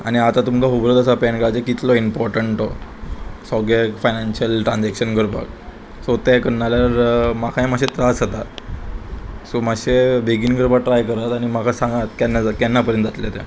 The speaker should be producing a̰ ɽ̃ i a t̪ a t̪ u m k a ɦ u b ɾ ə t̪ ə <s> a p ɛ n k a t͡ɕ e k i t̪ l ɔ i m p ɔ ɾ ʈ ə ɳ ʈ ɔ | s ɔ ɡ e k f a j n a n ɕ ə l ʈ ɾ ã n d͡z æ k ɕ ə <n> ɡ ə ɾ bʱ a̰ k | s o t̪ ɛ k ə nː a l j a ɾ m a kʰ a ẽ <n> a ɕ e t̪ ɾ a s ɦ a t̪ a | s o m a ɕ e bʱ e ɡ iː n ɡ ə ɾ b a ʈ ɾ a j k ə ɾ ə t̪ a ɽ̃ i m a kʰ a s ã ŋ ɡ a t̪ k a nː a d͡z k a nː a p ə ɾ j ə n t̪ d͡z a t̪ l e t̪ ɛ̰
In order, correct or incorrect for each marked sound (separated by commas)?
correct, correct, incorrect